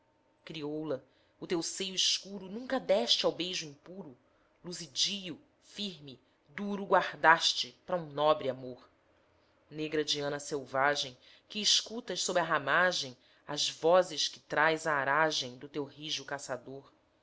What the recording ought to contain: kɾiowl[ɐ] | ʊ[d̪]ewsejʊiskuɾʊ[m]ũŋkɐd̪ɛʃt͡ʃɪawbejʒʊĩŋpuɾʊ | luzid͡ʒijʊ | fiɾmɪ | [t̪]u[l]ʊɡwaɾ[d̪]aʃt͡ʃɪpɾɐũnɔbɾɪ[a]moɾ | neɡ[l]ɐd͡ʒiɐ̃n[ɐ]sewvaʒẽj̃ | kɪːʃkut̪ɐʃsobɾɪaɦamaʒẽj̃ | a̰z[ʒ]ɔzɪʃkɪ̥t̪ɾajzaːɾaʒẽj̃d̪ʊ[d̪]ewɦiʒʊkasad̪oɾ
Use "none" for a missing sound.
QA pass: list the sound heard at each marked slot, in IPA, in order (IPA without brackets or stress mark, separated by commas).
ɐ, t̪, n, d̪, ɾ, d̪, a, ɾ, ɐ, v, t̪